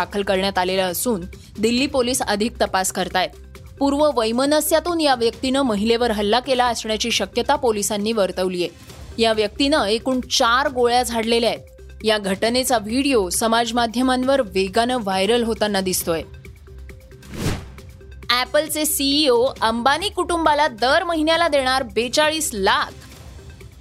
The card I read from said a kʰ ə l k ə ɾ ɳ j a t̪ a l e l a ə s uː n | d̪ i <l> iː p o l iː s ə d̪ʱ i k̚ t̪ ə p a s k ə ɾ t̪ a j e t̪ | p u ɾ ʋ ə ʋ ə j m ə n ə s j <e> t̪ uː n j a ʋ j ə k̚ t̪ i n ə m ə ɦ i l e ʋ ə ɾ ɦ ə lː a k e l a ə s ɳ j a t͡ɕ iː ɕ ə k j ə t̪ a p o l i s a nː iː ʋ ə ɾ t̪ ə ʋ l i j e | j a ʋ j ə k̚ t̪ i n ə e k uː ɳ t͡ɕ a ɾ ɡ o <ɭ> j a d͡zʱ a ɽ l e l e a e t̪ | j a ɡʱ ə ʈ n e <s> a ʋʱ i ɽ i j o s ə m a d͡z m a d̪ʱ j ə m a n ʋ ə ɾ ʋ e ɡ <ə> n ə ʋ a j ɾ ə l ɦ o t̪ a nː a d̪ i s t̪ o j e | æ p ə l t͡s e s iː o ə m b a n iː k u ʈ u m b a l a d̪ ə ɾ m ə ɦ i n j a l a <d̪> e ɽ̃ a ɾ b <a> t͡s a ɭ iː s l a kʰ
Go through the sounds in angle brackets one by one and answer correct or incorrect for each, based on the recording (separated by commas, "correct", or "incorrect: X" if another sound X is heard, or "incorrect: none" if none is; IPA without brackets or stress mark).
incorrect: lː, incorrect: a, correct, incorrect: t͡s, incorrect: a, correct, incorrect: e